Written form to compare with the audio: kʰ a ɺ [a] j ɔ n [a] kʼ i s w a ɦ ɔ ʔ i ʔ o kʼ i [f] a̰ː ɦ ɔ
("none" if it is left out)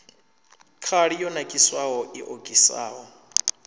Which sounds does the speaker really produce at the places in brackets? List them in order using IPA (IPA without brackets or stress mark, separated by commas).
i, a, s